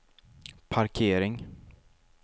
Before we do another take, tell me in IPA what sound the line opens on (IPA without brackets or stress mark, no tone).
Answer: pʰ